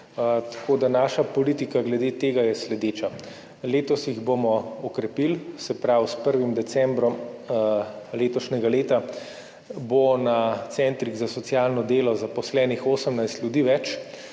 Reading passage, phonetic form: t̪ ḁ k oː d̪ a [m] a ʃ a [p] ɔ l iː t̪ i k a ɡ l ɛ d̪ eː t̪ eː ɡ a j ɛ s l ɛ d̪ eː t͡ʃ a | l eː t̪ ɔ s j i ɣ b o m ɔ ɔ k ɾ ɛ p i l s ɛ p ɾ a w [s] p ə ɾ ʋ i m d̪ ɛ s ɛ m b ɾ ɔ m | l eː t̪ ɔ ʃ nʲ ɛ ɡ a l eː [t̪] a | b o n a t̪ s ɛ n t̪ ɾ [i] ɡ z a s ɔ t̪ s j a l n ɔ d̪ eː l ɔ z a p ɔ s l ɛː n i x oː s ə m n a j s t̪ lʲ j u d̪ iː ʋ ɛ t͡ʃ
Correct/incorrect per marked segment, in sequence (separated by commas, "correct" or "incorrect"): incorrect, correct, correct, correct, correct